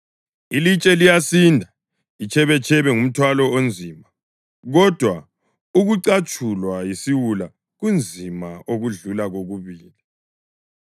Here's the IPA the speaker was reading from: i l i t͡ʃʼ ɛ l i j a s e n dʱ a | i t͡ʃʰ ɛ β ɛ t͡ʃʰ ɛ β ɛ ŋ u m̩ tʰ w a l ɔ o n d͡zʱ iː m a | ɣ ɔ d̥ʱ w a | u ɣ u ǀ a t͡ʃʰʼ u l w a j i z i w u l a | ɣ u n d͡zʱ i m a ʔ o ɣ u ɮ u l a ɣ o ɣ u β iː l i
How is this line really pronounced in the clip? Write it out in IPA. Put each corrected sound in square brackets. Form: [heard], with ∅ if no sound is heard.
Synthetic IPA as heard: i l i t͡ʃʼ ɛ l i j a s [i] n dʱ a | i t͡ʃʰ ɛ β ɛ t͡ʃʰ ɛ β ɛ ŋ u m̩ tʰ w a l ɔ o n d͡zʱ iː m a | ɣ ɔ d̥ʱ w a | u ɣ u ǀ a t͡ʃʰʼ u l w a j i [s] i w u l a | ɣ u n d͡zʱ i m a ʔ o ɣ u ɮ u l a ɣ o ɣ u β iː l i